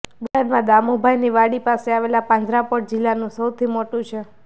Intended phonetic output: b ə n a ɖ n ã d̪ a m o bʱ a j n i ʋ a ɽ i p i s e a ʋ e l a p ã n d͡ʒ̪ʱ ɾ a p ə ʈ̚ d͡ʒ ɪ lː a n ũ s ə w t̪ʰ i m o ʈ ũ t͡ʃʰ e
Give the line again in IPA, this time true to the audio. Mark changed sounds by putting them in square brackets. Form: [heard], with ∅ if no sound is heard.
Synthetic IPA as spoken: b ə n a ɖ [m] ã d̪ a m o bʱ a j n i ʋ a ɽ i p [a] s e a ʋ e l a p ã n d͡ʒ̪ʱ ɾ a p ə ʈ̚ d͡ʒ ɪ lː a n ũ s ə w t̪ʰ i m o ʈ ũ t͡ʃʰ e